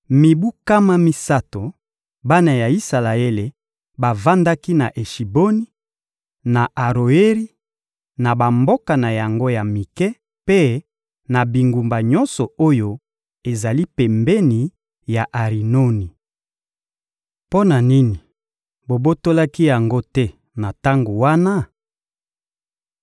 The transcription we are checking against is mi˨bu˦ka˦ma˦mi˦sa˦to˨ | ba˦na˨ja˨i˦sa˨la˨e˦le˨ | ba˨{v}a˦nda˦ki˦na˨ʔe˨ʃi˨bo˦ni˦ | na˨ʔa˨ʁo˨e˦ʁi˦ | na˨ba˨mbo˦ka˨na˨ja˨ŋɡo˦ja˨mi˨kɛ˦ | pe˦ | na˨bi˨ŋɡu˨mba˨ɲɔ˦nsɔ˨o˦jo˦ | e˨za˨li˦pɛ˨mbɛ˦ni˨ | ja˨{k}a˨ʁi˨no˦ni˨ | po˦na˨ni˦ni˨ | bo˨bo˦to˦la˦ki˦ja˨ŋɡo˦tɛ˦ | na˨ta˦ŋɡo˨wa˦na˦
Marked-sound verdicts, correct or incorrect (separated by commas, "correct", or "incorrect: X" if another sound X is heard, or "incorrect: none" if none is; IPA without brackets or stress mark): correct, incorrect: ʔ